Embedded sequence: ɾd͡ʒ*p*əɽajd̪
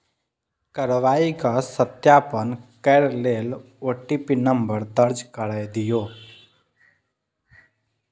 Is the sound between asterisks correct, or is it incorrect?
incorrect